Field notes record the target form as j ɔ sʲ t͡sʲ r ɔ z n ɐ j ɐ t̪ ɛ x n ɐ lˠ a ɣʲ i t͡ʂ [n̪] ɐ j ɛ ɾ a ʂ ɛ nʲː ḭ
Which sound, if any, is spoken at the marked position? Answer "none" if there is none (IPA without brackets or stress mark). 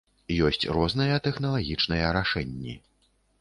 n̪